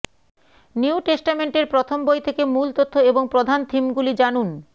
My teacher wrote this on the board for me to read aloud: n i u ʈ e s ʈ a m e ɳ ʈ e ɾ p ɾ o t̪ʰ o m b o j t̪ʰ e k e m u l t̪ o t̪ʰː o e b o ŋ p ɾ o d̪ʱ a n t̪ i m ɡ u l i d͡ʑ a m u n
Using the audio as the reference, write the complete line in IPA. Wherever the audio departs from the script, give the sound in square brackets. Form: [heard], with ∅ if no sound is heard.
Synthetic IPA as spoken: n i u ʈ e s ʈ a m e ɳ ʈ e ɾ p ɾ o t̪ʰ o m b o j t̪ʰ e k e m u l t̪ o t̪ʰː o e b o ŋ p ɾ o d̪ʱ a n [t̪ʰ] i m ɡ u l i d͡ʑ a [n] u n